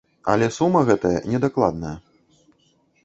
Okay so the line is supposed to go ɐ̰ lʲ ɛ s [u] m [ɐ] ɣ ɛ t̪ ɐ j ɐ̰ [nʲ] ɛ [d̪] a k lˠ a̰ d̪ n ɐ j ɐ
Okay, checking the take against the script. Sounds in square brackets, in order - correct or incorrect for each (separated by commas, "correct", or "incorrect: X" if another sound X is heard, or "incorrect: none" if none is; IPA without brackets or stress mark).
correct, correct, correct, correct